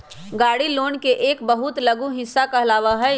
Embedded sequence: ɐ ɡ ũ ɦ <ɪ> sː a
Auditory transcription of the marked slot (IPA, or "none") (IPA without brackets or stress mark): ɪ